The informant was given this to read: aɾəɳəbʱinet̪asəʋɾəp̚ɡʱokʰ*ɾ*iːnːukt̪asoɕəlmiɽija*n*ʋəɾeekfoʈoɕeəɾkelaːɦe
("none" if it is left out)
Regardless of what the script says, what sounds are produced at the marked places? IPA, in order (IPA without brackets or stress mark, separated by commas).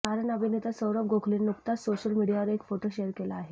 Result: l, none